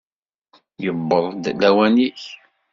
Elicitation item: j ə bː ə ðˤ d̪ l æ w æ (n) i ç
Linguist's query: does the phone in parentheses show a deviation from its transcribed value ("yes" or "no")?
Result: no